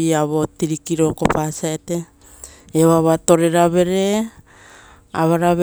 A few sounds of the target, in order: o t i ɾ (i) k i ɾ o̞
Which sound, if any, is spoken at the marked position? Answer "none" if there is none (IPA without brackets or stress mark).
i